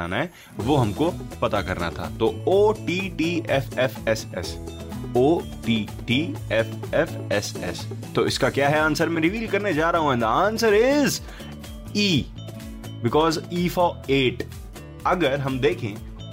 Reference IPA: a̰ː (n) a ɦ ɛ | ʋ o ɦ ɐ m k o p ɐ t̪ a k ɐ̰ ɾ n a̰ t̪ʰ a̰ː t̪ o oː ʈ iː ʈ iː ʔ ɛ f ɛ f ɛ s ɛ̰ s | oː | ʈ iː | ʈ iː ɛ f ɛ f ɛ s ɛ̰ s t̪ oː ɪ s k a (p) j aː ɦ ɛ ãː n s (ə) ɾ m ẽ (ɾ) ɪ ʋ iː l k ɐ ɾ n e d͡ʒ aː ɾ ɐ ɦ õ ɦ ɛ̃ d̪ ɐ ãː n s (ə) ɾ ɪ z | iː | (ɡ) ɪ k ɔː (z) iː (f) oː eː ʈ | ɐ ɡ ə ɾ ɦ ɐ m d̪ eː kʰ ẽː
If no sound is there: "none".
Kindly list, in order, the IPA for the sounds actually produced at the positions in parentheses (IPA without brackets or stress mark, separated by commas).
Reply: n, k, ə, ɾ, ə, b, z, f